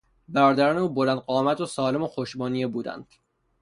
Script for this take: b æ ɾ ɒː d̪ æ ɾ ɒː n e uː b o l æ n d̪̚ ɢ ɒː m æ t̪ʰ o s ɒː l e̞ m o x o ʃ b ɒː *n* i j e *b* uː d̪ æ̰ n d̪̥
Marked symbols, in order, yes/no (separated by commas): yes, yes